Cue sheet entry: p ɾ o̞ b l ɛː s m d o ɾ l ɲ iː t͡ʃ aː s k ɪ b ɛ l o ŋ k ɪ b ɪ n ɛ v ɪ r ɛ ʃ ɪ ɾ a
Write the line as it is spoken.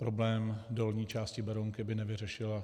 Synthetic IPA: p ɾ o̞ b l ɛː m d o l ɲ iː t͡ʃ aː s c ɪ b ɛ ɾ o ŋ k ɪ b ɪ n ɛ v ɪ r ɛ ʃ ɪ l a